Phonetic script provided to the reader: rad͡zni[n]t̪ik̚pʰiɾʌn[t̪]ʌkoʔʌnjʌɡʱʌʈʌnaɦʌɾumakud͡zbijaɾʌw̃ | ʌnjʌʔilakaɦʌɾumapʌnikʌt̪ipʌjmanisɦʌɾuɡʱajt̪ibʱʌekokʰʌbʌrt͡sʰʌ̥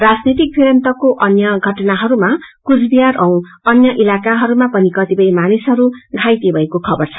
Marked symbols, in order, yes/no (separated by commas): no, yes